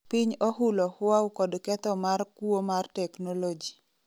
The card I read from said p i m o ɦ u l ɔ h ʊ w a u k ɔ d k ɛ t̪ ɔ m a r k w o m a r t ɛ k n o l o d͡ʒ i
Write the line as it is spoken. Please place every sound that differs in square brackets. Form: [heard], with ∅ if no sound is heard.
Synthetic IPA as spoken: p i [ɲ] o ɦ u l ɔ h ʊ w a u k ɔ d k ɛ t̪ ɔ m a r k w o m a r t ɛ k n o l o d͡ʒ i